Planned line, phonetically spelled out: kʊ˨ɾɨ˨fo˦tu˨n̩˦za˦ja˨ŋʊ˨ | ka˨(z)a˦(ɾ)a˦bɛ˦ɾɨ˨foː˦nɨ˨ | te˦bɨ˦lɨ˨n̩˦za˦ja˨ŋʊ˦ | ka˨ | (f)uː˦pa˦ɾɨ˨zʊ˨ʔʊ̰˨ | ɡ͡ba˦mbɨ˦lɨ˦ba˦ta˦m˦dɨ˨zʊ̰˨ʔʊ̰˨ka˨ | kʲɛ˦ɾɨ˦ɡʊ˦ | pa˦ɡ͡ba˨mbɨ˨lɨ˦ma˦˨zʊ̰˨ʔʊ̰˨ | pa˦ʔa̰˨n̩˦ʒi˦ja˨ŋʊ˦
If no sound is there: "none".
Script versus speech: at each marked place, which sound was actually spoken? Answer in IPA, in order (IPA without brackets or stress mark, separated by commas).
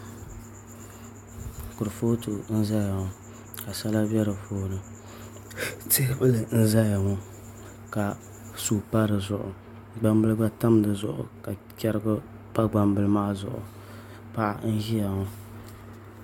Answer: s, l, s